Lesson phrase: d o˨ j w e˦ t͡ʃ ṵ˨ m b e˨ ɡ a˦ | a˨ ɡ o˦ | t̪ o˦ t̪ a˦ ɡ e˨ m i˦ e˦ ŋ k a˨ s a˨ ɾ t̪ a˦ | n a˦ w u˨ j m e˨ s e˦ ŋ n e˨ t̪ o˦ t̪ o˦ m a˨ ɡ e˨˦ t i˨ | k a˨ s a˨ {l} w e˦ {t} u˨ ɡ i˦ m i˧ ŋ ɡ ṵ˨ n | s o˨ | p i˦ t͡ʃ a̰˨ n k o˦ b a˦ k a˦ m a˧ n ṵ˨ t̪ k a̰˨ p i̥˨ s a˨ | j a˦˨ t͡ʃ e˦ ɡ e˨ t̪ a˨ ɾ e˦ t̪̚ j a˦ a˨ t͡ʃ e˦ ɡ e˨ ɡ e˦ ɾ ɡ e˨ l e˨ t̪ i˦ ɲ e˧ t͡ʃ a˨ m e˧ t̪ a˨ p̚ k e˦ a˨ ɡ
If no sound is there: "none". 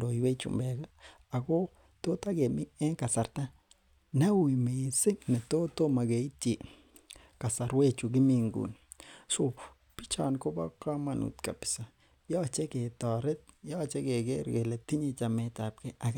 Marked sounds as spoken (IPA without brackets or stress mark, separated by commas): ɾ, t͡ʃ